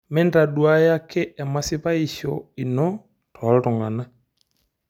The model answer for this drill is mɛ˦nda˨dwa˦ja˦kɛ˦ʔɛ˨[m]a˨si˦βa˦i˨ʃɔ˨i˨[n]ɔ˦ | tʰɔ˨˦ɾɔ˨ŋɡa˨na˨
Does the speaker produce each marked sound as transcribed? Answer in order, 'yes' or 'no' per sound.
yes, yes

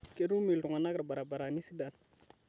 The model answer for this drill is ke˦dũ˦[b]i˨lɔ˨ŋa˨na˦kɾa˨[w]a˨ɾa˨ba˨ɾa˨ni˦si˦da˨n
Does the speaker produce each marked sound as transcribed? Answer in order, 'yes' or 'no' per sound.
no, no

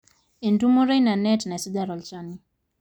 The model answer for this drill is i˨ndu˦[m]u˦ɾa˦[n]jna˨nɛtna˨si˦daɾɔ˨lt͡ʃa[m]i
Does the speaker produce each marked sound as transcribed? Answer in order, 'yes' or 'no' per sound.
yes, no, no

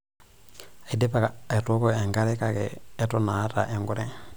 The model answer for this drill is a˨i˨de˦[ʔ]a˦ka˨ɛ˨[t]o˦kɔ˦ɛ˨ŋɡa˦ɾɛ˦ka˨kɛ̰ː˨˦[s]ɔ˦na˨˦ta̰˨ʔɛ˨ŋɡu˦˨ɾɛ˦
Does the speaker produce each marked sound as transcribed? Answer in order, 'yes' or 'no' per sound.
no, yes, no

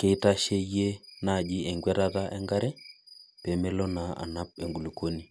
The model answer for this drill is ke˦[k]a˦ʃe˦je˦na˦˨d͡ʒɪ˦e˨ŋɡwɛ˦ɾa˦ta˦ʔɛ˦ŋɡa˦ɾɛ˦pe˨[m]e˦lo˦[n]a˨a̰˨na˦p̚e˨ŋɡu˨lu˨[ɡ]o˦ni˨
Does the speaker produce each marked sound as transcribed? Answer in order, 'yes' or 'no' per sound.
no, yes, yes, no

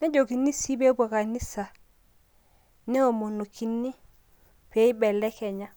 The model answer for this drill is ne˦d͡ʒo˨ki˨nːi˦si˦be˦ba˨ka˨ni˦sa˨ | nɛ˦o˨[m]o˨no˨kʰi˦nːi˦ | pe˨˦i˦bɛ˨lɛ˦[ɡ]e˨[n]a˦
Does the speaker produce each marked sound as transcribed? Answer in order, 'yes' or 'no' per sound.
yes, no, no

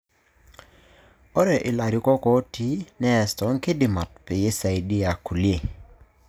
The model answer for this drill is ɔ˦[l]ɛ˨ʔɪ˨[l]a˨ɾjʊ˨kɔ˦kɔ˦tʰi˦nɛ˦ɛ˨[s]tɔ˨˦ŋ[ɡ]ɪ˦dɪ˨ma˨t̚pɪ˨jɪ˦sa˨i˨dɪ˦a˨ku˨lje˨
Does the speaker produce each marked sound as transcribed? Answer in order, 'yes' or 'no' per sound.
no, yes, yes, no

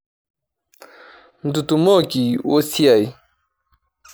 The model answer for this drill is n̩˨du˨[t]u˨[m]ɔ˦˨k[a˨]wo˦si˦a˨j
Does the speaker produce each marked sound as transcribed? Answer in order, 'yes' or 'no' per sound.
yes, yes, no

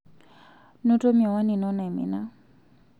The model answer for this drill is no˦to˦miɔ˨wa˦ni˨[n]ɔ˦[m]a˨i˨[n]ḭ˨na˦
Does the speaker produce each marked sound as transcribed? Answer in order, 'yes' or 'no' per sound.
yes, no, no

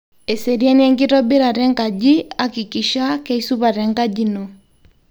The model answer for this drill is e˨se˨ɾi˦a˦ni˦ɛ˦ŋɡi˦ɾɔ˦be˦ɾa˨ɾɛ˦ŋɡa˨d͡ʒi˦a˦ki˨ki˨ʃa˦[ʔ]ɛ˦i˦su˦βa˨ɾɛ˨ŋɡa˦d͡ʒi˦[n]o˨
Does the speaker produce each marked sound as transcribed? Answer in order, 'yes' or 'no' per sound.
no, yes

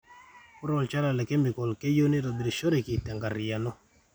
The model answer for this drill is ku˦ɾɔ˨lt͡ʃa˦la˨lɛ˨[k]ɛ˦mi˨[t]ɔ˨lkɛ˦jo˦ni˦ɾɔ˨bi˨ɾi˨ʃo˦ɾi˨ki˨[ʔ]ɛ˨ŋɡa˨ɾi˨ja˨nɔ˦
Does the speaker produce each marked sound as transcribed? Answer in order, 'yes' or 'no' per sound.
yes, no, no

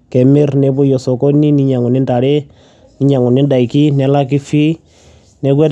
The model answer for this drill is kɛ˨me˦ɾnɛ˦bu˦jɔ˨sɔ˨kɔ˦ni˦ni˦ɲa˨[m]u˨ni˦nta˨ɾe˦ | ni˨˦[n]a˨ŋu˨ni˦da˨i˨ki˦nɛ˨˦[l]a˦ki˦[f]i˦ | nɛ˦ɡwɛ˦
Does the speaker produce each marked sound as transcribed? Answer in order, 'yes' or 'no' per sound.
no, no, yes, yes

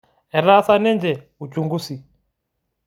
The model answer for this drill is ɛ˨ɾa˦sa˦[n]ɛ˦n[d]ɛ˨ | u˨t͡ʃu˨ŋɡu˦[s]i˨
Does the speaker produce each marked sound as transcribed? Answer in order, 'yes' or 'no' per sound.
yes, no, yes

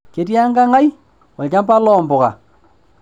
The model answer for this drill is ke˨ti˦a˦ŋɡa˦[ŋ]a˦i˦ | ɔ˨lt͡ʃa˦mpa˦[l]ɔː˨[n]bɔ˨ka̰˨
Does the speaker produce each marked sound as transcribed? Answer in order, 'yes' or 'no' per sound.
yes, yes, no

